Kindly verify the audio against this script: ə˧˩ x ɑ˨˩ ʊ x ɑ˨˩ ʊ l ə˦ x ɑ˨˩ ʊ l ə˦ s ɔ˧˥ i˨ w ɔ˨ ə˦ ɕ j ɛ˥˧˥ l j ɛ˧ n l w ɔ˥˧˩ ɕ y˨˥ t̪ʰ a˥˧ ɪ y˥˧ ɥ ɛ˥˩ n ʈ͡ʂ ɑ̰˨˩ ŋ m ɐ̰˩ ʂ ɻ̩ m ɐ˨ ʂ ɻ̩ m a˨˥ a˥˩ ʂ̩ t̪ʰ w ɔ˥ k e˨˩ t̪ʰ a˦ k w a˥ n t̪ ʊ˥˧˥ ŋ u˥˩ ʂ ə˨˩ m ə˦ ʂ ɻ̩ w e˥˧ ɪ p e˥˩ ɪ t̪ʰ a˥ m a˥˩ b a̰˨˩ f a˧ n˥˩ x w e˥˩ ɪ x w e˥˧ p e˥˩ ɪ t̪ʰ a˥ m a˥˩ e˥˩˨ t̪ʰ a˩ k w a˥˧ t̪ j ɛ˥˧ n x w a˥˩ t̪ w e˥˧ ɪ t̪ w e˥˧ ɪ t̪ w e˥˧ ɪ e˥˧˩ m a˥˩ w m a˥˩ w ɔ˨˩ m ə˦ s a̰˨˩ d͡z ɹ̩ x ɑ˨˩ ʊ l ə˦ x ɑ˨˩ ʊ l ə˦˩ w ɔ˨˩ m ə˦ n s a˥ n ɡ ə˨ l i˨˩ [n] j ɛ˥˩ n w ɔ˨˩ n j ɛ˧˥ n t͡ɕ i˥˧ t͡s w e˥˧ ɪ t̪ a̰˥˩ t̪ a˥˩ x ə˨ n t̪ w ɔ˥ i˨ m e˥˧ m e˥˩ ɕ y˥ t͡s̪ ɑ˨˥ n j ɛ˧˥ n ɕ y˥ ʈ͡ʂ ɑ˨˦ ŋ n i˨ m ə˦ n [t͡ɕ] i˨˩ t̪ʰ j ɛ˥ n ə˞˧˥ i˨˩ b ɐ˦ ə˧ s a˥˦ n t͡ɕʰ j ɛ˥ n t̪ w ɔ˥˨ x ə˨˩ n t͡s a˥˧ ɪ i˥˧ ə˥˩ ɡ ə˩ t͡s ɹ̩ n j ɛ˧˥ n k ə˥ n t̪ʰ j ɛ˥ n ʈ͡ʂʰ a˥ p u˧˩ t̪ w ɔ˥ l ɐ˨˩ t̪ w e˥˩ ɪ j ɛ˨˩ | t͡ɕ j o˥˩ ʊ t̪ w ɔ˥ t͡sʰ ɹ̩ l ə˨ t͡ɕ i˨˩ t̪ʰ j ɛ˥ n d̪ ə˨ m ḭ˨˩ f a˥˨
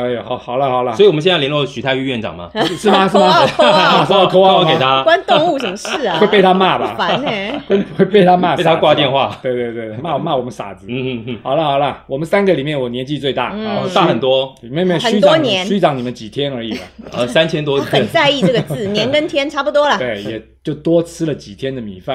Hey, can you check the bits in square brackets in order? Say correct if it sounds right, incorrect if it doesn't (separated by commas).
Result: incorrect, correct